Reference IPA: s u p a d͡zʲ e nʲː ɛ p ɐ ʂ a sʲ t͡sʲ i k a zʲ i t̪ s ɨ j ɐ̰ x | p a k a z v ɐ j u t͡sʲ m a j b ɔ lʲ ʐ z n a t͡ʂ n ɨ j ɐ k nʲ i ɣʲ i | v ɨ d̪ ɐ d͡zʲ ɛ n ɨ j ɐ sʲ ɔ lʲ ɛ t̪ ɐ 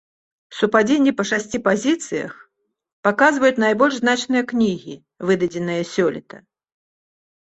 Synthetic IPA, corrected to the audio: s u p a d͡zʲ e nʲː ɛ p ɐ ʂ a sʲ t͡sʲ i p a zʲ i t̪ s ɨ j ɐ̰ x | p a k a z v ɐ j u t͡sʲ n a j b ɔ lʲ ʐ z n a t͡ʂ n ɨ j ɐ k nʲ i ɣʲ i | v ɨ d̪ ɐ d͡zʲ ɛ n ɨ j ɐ sʲ ɔ lʲ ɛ t̪ ɐ